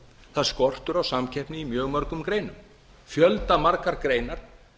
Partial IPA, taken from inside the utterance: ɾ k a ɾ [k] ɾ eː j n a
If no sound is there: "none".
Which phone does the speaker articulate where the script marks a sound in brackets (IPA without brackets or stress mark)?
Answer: k